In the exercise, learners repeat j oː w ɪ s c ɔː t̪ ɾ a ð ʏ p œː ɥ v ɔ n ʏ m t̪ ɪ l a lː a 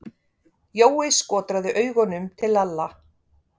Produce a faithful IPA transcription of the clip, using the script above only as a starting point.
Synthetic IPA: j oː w ɪ s k ɔː t̪ ɾ a ð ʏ ʔ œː ɥ ɣ ɔ n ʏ m t̪ʰ ɪ l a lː a